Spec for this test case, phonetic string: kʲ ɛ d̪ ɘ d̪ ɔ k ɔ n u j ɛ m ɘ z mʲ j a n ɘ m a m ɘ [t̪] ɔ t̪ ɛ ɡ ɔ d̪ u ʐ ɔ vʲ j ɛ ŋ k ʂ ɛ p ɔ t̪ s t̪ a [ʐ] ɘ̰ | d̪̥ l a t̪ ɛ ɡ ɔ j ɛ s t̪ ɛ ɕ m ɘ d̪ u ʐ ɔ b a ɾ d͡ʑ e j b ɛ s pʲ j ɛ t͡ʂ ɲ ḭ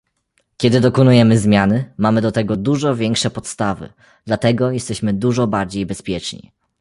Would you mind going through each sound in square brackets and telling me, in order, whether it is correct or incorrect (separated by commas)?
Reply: incorrect, incorrect